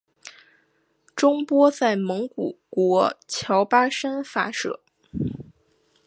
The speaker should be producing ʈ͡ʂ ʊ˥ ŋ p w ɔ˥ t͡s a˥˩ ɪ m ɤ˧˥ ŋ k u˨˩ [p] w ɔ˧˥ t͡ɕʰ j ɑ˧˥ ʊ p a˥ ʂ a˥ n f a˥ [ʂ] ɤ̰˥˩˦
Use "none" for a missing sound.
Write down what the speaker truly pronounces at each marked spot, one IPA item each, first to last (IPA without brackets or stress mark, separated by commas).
k, ʂ